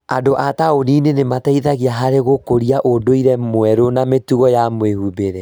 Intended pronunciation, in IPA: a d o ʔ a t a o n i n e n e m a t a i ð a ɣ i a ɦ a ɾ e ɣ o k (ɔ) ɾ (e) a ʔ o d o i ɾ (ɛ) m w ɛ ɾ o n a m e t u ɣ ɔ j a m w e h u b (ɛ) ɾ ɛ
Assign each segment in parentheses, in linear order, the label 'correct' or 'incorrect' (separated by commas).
incorrect, incorrect, correct, incorrect